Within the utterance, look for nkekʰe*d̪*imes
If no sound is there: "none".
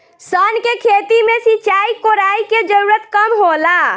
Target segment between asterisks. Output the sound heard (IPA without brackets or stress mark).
t̪